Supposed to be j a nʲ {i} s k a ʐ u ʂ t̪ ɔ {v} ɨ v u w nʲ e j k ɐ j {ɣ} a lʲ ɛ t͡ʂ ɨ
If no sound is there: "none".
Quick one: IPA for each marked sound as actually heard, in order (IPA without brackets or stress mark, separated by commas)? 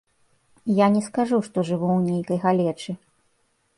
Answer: ɛ, ʐ, ɣ